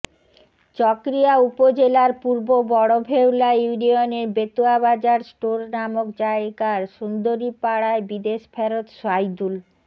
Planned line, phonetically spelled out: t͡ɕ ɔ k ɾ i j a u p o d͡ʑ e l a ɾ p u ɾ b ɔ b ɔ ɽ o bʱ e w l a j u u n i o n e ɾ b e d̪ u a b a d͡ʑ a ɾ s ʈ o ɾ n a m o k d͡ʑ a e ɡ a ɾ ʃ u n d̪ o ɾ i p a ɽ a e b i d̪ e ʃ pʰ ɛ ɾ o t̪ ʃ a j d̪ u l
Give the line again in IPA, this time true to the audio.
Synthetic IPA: t͡ɕ ɔ k ɾ i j a u p o d͡ʑ e l a ɾ p u ɾ b o b ɔ ɽ o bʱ e w l a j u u n i o n e ɾ b e t̪ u a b a d͡ʑ a ɾ s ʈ o ɾ n a m o k d͡ʑ a e ɡ a ɾ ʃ u n d̪ o ɾ i p a ɽ a e b i d̪ e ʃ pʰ ɛ ɾ o t̪ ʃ a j d̪ u l